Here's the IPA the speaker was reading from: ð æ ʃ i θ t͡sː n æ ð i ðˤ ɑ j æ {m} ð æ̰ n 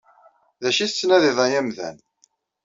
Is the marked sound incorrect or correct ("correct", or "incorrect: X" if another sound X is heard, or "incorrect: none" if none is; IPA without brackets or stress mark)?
correct